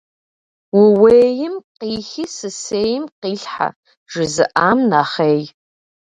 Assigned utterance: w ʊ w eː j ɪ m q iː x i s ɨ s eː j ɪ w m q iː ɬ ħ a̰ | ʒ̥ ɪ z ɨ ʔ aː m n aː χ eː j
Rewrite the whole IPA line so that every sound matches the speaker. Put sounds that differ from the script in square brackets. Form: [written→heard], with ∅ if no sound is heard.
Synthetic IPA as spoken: w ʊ w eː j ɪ m q iː x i s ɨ s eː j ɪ [w→∅] m q iː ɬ ħ a̰ | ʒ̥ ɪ z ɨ ʔ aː m n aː χ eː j

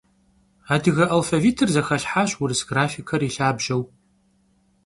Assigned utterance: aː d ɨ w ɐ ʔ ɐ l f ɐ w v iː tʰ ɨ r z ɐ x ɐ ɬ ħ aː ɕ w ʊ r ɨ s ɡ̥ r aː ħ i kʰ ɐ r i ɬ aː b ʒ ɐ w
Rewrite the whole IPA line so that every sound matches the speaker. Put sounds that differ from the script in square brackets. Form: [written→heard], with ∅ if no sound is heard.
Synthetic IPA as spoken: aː d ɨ [w→ɣ] ɐ ʔ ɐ l f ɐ [w→∅] v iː tʰ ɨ r z ɐ x ɐ ɬ ħ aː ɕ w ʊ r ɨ s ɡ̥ r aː [ħ→f] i kʰ ɐ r i ɬ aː b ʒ ɐ w

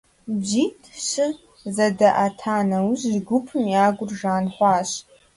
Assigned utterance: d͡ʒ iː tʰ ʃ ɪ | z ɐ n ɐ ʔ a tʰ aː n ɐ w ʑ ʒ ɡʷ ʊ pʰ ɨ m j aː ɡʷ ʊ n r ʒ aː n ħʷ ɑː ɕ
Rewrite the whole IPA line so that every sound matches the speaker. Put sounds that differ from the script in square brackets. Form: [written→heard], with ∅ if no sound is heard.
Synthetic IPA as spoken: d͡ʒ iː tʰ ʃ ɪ | z ɐ [n→d] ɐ ʔ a tʰ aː n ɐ w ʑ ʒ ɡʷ ʊ pʰ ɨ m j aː ɡʷ ʊ [n→∅] r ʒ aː n ħʷ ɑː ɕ

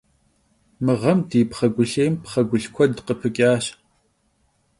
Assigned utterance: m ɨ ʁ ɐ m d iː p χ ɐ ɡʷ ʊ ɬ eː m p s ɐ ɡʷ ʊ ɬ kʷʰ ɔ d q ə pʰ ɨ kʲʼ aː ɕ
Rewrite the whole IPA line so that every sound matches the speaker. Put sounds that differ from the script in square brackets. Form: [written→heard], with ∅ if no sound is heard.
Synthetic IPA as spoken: m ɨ ʁ ɐ m d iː p χ ɐ ɡʷ ʊ ɬ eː m p [s→χ] ɐ ɡʷ ʊ ɬ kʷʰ ɔ d q ə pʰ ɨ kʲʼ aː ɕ

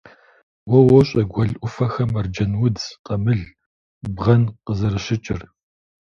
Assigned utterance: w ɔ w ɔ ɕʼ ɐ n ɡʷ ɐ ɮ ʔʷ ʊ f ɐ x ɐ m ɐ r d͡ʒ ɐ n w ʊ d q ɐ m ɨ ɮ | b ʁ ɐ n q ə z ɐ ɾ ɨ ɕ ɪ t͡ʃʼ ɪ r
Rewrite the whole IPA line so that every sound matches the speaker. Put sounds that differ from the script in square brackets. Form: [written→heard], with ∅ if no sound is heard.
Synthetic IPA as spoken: w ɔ w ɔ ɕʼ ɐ [n→∅] ɡʷ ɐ ɮ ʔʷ ʊ f ɐ x ɐ m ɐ r d͡ʒ ɐ n w ʊ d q ɐ m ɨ ɮ | b ʁ ɐ n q ə z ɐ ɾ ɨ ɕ ɪ t͡ʃʼ ɪ r

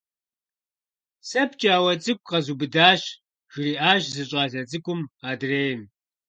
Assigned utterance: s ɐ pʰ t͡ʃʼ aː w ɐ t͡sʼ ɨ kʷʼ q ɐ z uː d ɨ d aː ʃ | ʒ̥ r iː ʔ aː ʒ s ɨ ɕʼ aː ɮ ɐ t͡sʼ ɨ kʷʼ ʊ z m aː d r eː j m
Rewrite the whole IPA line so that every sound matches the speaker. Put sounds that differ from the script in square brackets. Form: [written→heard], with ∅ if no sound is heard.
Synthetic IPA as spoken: s ɐ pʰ t͡ʃʼ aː w ɐ t͡sʼ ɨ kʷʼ q ɐ z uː [d→b] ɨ d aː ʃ | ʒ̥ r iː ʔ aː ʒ [s→z] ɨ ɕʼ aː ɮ ɐ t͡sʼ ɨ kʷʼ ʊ [z→∅] m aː d r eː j m

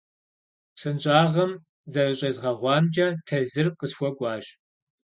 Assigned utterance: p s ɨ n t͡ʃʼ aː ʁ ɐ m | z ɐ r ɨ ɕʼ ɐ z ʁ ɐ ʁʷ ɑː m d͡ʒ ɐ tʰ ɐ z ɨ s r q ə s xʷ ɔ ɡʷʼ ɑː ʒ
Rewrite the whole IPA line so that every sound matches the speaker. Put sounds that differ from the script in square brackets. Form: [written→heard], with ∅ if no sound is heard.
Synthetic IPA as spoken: p s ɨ n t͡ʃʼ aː ʁ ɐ m | z ɐ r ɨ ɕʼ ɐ z ʁ ɐ ʁʷ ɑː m d͡ʒ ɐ tʰ ɐ z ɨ [s→∅] r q ə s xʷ ɔ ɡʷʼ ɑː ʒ

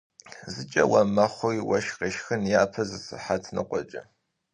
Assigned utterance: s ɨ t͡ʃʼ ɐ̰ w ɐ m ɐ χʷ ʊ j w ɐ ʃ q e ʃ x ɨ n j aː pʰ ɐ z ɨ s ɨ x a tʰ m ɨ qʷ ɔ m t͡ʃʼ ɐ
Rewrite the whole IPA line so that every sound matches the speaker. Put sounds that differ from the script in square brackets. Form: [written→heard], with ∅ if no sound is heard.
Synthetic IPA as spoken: [s→z] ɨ t͡ʃʼ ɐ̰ w ɐ m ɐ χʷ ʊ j w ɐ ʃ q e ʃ x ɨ n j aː pʰ ɐ z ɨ s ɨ [x→ħ] a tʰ [m→n] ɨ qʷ ɔ [m→∅] t͡ʃʼ ɐ

